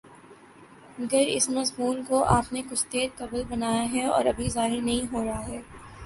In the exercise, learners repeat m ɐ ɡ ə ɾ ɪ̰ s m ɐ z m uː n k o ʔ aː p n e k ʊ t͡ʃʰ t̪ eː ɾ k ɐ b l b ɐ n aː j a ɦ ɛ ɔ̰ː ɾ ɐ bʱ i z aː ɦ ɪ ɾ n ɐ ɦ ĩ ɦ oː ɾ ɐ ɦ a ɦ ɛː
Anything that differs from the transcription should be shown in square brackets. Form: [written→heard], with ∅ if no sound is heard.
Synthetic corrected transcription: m ɐ ɡ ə ɾ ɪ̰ s m ɐ z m uː n k o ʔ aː p n e k ʊ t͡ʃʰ t̪ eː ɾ k ɐ b l b ɐ n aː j a ɦ ɛ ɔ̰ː ɾ ɐ bʱ i z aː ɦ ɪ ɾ n ɐ ɦ ĩ ɦ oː ɾ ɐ ɦ a ɦ ɛː